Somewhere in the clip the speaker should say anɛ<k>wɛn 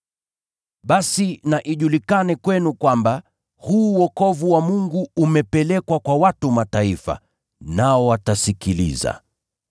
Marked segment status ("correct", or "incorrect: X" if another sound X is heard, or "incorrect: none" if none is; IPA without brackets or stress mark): correct